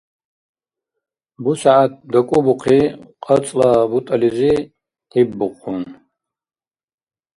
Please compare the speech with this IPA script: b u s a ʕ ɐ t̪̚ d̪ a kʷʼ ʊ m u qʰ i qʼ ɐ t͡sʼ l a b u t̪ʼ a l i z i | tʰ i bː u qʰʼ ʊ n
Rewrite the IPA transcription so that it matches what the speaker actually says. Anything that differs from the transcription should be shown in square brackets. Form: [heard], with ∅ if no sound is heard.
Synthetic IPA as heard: b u s a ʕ [a] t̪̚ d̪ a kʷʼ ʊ [b] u qʰ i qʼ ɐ t͡sʼ l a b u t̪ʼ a l i z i | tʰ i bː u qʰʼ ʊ n